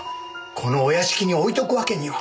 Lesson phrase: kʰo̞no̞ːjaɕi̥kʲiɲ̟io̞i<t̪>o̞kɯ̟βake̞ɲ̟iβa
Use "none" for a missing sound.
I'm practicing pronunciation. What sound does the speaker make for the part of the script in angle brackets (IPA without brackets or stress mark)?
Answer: t̪